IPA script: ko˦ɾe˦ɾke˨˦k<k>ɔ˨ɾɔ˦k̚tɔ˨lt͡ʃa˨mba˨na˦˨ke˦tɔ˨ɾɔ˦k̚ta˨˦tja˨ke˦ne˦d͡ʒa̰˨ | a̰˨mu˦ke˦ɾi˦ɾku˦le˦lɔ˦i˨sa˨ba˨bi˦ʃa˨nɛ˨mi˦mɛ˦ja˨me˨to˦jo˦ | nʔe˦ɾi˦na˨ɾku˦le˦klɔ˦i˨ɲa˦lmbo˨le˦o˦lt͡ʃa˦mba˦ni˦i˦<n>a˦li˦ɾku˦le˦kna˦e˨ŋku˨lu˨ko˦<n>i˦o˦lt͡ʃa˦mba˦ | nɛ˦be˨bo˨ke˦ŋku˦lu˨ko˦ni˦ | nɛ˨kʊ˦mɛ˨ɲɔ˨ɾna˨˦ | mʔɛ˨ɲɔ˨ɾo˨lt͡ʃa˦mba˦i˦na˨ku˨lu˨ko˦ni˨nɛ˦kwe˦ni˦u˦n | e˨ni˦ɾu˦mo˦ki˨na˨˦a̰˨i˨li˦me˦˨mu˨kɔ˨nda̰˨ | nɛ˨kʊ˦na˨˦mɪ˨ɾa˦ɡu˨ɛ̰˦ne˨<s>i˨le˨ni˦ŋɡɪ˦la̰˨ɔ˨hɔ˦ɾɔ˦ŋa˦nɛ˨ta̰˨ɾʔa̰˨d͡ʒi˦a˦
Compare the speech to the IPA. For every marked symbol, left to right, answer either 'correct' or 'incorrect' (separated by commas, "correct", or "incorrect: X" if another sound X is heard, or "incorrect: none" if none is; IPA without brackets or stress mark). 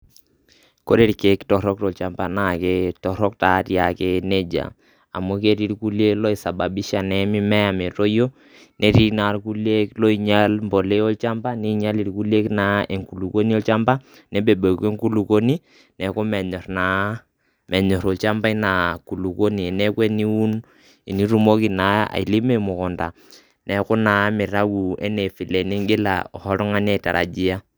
incorrect: t, incorrect: ɲ, correct, incorrect: f